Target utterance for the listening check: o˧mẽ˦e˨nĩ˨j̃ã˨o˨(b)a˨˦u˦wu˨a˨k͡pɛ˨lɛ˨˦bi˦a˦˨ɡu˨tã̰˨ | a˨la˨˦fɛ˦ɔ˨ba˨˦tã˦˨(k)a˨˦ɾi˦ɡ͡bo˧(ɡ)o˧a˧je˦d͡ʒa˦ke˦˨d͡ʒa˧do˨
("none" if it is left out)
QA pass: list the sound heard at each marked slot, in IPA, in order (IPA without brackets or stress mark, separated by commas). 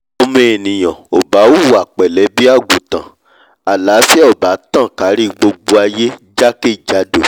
b, k, ɡ͡b